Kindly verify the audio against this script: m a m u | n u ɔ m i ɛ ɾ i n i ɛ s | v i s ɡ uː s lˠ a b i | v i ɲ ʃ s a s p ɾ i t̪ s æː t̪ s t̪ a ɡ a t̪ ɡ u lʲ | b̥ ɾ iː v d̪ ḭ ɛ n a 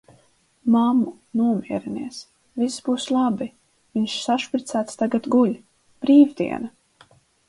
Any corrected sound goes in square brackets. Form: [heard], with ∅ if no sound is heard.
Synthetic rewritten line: m a m u | n u ɔ m i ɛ ɾ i n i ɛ s | v i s [b] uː s lˠ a b i | v i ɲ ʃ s a [ʃ] p ɾ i t̪ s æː t̪ s t̪ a ɡ a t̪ ɡ u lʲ | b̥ ɾ iː v d̪ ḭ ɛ n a